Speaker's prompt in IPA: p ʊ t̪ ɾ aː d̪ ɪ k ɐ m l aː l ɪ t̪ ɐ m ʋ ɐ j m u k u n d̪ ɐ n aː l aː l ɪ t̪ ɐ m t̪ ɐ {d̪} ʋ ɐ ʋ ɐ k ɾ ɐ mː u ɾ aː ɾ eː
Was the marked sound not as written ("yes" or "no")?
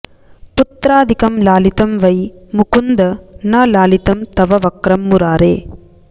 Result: yes